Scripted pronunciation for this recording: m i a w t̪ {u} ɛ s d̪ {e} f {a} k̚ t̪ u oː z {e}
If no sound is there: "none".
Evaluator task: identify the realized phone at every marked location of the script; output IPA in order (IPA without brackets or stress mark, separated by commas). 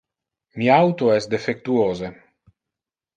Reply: o, e, e, e